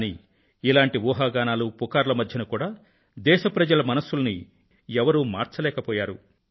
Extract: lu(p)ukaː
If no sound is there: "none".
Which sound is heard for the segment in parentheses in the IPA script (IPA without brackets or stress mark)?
p